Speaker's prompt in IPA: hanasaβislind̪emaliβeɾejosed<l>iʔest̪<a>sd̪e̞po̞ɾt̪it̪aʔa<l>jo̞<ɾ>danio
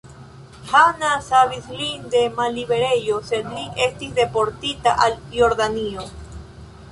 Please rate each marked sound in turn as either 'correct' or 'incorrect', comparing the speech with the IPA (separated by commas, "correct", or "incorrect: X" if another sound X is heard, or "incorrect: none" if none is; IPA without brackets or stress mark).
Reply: correct, incorrect: i, correct, correct